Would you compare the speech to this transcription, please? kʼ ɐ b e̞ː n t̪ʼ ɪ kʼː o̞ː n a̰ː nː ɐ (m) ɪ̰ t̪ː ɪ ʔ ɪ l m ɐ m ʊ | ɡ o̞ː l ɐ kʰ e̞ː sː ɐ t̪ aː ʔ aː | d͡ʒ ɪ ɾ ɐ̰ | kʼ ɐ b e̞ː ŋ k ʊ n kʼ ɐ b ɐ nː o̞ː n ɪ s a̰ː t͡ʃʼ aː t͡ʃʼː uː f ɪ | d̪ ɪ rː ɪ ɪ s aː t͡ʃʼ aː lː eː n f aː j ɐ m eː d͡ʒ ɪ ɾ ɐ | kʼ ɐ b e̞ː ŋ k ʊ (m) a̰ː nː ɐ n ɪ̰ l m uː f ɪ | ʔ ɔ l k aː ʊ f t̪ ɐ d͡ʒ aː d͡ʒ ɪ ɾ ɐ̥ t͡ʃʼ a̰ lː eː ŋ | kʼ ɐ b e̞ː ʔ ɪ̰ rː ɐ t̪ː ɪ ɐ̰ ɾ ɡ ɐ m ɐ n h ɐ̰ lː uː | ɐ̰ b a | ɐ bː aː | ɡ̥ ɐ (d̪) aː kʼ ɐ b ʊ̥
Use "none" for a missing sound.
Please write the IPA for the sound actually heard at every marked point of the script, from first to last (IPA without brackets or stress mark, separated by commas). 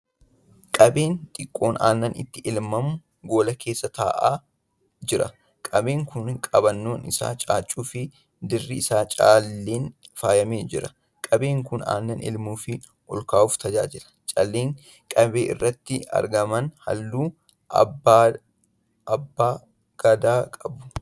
n, n, d̪